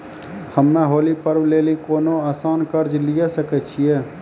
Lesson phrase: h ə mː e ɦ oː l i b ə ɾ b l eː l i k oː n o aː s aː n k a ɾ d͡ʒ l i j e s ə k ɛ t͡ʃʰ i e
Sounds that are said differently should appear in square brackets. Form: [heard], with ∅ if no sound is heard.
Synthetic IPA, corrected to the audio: h ə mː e ɦ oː l i [p] ə ɾ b l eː l i k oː n o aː s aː n k [ə] ɾ d͡ʒ l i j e s ə k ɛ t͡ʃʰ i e